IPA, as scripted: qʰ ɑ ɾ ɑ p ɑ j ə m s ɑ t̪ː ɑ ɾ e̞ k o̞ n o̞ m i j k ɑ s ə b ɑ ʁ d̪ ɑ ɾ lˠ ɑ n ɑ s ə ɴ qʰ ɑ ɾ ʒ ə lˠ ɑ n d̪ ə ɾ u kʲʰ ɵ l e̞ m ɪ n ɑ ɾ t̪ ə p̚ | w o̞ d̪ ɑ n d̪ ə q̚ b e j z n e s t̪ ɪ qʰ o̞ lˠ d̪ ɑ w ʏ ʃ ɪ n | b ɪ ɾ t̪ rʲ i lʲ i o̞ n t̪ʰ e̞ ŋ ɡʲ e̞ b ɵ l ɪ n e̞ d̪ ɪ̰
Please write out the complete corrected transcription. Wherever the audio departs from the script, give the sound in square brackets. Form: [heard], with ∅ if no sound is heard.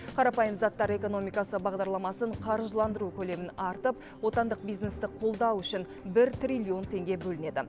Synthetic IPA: qʰ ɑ ɾ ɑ p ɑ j ə m [z] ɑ t̪ː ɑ ɾ e̞ k o̞ n o̞ m i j k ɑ s ə b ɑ ʁ d̪ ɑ ɾ lˠ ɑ [m] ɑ s ə ɴ qʰ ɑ ɾ ʒ ə lˠ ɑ n d̪ ə ɾ u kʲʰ ɵ l e̞ m ɪ n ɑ ɾ t̪ ə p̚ | w o̞ [t̪] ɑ n d̪ ə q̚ b [i] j z n e s t̪ ɪ qʰ o̞ lˠ d̪ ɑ w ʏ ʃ ɪ n | b ɪ ɾ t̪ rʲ i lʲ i o̞ n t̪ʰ e̞ ŋ ɡʲ e̞ b ɵ l ɪ n e̞ d̪ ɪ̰